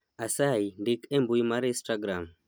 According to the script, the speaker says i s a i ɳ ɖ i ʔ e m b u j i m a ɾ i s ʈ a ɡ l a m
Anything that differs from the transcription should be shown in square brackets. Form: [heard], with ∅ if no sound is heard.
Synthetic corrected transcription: [a] s a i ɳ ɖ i [k] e m b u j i m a ɾ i s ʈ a ɡ [ɾ] a m